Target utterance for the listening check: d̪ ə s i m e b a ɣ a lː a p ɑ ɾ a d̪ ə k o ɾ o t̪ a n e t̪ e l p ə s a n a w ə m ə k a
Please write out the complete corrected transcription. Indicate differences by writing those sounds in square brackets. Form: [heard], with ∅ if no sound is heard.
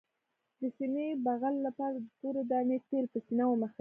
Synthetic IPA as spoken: d̪ ə s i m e b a ɣ a lː a p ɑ ɾ a d̪ ə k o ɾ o [d̪] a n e t̪ e l p ə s [i] n a w ə m ə [x] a